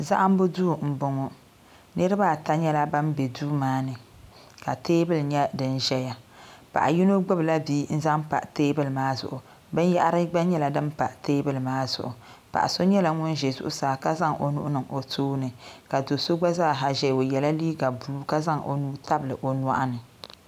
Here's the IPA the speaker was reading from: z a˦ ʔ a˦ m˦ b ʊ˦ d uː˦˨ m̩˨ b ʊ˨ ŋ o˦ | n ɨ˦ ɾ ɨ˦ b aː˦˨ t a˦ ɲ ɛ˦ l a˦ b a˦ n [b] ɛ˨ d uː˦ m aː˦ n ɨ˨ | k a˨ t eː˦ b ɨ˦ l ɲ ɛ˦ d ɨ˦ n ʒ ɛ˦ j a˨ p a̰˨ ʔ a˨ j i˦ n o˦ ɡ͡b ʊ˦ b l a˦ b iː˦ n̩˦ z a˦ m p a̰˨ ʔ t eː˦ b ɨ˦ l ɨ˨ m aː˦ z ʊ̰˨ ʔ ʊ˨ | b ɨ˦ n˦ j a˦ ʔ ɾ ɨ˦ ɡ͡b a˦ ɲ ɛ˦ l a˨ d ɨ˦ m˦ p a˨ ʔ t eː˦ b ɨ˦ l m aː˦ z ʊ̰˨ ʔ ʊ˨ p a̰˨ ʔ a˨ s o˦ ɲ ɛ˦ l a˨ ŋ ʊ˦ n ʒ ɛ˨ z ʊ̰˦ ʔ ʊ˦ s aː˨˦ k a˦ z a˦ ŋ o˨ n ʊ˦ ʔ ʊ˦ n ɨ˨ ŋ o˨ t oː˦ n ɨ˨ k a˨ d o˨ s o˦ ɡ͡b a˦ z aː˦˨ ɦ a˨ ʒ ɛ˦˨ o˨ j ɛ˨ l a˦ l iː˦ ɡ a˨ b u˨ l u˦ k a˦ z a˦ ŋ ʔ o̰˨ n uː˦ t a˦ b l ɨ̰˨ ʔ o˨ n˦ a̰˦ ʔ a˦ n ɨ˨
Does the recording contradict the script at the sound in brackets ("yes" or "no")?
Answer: no